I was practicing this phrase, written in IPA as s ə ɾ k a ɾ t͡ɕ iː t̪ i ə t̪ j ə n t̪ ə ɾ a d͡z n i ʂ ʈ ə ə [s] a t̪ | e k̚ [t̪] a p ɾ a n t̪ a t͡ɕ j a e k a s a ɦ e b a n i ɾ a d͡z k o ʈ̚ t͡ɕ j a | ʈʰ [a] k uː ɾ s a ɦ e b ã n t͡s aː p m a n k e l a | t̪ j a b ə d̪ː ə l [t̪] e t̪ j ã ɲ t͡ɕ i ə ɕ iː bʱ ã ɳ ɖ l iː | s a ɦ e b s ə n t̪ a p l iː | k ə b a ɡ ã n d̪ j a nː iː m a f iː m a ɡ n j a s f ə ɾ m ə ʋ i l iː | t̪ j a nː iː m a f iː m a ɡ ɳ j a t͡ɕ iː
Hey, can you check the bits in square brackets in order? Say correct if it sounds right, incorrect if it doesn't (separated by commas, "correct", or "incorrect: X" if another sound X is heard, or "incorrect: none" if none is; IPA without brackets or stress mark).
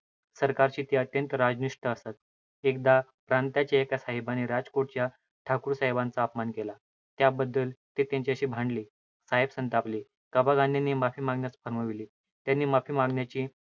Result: correct, incorrect: d̪, correct, correct